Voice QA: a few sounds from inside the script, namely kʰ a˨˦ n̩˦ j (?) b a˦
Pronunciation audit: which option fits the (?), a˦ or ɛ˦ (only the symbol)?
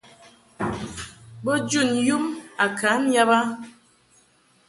a˦